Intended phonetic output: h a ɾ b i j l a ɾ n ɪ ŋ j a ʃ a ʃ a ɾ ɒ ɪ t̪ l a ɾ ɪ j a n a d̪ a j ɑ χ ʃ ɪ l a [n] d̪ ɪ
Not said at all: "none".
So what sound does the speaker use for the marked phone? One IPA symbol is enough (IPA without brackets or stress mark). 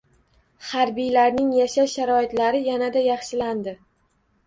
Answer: n